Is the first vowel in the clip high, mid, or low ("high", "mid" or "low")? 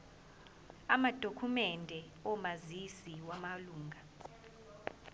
low